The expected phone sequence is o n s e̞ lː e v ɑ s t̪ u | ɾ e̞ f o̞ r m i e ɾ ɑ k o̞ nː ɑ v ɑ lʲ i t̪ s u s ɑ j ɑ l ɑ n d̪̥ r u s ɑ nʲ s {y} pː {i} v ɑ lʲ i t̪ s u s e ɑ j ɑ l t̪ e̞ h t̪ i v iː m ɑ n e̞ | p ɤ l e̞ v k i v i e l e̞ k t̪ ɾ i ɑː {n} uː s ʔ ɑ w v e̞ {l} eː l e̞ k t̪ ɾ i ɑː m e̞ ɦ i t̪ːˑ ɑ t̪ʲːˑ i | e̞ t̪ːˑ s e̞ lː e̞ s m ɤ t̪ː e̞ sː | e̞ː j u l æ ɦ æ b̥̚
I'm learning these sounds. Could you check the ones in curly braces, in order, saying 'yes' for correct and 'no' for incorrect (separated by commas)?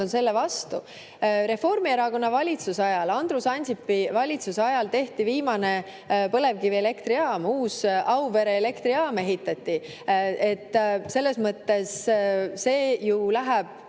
no, yes, no, no